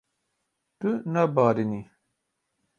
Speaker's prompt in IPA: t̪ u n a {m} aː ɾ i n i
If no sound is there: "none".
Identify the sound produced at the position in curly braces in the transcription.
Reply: b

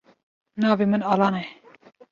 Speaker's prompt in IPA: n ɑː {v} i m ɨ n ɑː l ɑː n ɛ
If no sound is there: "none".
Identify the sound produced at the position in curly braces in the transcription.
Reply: v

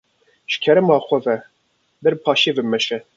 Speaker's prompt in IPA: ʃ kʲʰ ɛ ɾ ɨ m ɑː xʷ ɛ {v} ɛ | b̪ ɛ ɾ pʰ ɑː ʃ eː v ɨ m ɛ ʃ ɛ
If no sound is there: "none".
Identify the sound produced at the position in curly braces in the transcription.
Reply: v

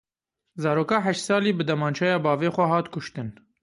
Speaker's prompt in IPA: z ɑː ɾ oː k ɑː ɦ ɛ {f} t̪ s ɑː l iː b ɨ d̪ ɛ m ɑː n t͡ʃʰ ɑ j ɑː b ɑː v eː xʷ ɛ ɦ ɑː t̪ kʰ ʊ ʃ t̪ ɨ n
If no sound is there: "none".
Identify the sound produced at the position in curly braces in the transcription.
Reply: ʃ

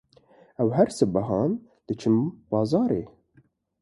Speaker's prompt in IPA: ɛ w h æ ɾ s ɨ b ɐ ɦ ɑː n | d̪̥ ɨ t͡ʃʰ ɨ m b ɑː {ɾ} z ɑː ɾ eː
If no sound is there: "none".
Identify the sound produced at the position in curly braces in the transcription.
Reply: none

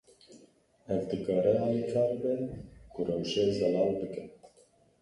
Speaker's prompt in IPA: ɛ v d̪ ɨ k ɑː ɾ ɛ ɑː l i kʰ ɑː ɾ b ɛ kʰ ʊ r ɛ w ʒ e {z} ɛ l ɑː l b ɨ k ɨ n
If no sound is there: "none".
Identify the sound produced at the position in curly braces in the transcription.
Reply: z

